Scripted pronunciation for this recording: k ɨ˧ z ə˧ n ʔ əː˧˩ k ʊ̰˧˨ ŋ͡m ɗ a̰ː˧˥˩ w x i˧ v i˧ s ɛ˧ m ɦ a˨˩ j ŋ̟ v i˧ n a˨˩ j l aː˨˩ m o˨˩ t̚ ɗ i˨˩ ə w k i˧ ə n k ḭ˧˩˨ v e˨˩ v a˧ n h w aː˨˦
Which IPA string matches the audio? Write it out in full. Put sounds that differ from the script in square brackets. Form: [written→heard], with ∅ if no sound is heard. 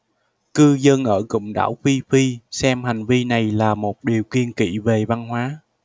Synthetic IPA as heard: k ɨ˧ z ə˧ n ʔ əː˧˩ k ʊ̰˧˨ ŋ͡m ɗ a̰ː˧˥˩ w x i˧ [v→f] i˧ s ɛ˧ m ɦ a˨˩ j ŋ̟ v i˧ n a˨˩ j l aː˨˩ m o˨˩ t̚ ɗ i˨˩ ə w k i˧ ə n k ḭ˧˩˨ v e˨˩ v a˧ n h w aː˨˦